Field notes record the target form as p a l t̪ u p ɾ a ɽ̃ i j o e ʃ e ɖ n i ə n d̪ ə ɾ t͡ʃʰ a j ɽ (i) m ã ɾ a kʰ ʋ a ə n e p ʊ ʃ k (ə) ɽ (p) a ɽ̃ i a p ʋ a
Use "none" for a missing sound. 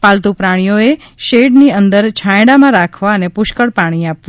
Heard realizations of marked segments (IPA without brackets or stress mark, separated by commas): a, ə, p